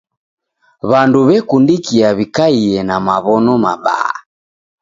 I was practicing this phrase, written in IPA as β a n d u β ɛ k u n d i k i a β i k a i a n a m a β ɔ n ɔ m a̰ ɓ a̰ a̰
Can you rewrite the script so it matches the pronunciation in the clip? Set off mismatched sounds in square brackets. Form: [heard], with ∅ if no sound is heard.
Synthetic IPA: β a n d u β ɛ k u n d i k i a β i k a i [ɛ] n a m a β ɔ n ɔ m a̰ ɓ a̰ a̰